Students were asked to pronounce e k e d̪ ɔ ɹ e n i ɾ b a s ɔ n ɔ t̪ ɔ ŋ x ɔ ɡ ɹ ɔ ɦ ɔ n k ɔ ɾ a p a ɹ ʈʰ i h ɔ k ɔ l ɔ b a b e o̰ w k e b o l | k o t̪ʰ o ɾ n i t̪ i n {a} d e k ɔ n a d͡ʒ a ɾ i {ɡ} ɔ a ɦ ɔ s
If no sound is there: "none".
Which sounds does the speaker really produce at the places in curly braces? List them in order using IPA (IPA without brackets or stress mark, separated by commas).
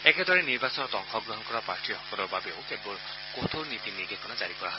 i, k